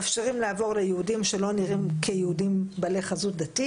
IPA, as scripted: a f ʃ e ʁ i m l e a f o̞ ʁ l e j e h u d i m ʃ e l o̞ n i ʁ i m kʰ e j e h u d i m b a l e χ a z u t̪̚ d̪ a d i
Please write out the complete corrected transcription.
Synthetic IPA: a f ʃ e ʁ i m l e a v o̞ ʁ l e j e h u d i m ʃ e l o̞ n i ʁ i m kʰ e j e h u d i m b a l e χ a z u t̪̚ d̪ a t i